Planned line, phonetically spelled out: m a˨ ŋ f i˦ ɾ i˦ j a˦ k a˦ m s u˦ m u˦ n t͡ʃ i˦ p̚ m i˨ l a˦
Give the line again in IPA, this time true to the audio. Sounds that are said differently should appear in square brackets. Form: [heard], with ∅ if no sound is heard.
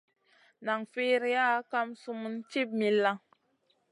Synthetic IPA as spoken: [n] a˨ ŋ f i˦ ɾ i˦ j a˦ k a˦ m s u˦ m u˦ n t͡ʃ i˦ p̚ m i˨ l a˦